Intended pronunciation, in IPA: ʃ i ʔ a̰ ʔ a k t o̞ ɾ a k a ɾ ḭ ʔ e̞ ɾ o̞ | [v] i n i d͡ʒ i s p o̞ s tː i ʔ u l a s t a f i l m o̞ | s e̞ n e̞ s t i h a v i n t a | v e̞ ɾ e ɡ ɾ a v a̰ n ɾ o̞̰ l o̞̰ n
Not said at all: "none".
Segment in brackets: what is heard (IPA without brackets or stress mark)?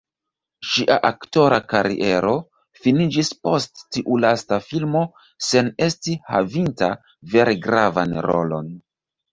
f